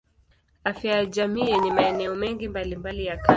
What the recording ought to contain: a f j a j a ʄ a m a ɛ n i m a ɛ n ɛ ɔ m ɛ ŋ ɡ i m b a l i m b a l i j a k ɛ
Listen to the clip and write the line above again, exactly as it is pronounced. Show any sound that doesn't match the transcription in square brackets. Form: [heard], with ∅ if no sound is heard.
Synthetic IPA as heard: a f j a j a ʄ a m [i] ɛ n i m a ɛ n ɛ ɔ m ɛ ŋ ɡ i m b a l i m b a l i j a k [a]